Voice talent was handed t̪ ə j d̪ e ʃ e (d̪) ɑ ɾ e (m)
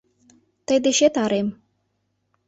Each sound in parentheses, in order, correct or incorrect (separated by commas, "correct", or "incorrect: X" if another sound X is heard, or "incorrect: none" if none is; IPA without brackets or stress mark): incorrect: t̪, correct